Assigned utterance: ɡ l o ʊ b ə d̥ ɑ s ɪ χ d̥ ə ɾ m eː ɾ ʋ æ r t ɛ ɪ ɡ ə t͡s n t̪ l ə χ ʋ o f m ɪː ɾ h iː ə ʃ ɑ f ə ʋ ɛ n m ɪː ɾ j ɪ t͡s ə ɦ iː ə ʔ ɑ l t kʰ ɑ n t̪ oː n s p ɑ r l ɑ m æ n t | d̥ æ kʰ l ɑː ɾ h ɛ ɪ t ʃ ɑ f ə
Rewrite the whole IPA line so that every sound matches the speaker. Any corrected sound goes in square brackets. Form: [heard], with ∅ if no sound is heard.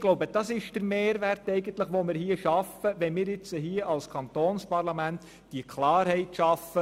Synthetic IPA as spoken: ɡ l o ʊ b ə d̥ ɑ s ɪ [ʃ] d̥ ə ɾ m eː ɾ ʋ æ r t ɛ ɪ ɡ ə [∅] n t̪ l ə χ ʋ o [∅] m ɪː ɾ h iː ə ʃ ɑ f ə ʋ ɛ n m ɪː ɾ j ɪ t͡s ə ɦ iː ə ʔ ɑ l [s] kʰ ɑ n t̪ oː n s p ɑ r l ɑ m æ n t | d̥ [i] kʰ l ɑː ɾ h ɛ ɪ t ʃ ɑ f ə